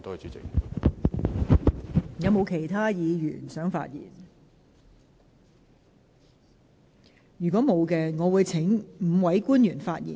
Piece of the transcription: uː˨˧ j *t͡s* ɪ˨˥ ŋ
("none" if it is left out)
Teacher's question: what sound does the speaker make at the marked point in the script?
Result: t͡sʰ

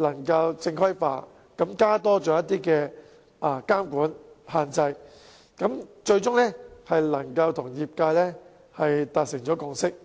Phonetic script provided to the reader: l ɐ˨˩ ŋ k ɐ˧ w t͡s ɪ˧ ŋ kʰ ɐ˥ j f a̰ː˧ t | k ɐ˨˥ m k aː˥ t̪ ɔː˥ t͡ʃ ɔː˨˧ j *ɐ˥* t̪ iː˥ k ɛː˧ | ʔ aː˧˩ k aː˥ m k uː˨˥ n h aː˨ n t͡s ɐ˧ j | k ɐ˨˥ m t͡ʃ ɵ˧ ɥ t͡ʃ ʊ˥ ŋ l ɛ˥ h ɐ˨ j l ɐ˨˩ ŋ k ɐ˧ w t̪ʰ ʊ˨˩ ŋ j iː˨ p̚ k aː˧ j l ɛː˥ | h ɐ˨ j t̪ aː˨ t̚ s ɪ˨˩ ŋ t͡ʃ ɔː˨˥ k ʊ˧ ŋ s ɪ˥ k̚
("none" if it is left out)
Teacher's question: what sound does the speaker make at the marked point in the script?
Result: ɐ˥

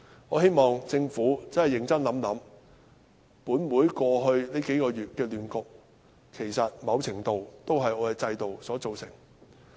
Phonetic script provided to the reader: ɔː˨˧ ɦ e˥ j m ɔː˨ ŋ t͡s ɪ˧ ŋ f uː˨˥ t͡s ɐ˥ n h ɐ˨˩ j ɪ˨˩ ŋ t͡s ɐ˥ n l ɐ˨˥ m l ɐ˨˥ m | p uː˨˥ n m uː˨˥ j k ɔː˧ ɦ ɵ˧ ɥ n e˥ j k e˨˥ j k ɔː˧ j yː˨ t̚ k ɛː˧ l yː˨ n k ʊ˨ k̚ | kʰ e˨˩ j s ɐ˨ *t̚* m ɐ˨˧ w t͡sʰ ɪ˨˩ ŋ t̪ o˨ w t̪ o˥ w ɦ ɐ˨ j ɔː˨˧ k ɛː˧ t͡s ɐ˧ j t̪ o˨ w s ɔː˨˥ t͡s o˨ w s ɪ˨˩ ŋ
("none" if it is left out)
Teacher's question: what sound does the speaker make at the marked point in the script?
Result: t̚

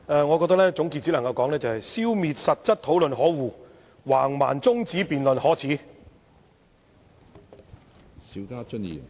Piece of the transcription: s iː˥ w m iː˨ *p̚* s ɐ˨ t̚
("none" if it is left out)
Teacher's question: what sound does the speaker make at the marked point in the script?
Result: t̚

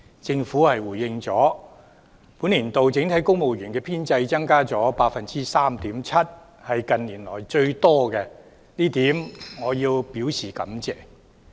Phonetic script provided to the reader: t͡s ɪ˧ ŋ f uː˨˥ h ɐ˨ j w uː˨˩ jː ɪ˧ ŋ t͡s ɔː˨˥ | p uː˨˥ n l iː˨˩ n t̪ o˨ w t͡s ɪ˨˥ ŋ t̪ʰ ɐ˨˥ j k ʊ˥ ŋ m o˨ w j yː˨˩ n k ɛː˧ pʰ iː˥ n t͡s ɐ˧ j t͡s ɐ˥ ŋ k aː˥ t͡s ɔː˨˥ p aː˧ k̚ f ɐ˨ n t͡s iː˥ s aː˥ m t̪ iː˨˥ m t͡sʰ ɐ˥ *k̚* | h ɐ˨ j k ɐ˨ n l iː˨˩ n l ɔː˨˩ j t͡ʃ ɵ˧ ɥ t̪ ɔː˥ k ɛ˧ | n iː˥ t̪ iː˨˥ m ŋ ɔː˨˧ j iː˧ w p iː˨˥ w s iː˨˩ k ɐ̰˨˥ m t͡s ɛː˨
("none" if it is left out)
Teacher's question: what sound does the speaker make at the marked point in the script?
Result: t̚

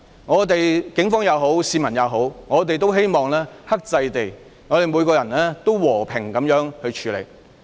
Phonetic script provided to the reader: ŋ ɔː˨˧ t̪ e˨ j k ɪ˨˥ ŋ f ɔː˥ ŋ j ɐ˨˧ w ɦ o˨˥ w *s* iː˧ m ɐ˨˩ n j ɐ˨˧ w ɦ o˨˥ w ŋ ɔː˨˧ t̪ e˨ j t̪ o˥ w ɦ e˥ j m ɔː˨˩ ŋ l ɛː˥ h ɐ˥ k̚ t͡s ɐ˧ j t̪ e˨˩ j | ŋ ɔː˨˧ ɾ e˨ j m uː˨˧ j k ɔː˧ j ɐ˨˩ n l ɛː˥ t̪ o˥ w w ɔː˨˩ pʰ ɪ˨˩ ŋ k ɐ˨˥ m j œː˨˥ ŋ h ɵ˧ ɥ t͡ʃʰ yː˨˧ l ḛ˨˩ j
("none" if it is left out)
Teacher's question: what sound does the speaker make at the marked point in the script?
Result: s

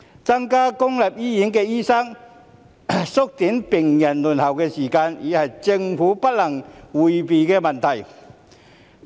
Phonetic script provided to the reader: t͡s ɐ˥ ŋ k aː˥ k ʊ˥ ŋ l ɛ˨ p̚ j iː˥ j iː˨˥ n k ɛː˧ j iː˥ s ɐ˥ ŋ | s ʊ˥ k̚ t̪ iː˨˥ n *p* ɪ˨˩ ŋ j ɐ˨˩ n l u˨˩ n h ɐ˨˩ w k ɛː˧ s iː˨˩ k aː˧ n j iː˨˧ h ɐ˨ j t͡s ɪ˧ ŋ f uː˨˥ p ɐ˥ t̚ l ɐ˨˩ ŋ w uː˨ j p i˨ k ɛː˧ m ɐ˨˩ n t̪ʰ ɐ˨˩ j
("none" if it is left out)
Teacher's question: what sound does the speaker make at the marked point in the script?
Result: p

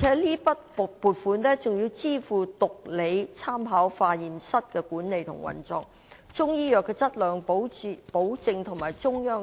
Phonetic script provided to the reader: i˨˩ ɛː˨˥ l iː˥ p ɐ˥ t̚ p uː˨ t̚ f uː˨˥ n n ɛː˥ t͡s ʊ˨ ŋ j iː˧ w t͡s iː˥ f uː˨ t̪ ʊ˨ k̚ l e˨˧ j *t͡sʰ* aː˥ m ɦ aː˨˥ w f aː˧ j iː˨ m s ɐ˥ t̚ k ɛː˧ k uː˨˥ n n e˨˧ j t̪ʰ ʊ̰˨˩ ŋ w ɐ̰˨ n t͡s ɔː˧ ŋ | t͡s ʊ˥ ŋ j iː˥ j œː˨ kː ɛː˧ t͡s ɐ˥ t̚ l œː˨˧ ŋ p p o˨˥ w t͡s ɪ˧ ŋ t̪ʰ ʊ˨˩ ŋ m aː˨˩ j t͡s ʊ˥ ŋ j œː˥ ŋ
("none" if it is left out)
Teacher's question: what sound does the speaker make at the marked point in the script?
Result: t͡sʰ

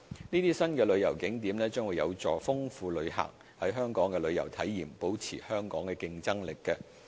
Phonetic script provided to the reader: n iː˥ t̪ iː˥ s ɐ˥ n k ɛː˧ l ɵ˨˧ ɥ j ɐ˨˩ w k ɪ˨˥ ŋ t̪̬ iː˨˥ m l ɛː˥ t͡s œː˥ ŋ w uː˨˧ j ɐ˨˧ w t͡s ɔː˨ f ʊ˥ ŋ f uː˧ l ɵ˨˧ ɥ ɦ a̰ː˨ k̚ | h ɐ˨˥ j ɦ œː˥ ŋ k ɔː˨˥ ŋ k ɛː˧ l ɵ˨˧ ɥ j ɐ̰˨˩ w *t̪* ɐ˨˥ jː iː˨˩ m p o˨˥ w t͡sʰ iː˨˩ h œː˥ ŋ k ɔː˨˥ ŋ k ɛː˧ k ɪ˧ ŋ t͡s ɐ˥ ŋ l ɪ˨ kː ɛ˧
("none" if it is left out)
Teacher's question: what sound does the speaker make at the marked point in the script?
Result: t̪ʰ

